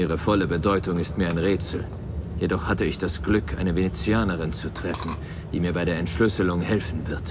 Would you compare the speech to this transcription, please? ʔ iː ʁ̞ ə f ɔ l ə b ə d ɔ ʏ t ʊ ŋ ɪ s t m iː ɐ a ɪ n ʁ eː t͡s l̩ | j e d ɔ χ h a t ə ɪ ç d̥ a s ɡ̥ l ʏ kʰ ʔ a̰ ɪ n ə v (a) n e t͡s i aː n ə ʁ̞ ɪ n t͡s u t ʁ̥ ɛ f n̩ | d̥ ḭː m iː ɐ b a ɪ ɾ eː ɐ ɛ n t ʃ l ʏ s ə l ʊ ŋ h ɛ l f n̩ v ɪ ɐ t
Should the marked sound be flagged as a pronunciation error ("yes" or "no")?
yes